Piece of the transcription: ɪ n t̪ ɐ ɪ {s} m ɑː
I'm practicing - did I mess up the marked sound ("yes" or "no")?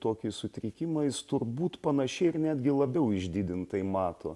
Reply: yes